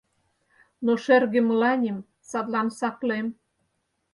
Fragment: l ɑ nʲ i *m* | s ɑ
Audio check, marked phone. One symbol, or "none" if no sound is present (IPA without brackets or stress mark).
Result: m